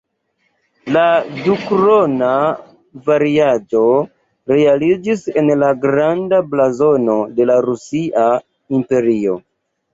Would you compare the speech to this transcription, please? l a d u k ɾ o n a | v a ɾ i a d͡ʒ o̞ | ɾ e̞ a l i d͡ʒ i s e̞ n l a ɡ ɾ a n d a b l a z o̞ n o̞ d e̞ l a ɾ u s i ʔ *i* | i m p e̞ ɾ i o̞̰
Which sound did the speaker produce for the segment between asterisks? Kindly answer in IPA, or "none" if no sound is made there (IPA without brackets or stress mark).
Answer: a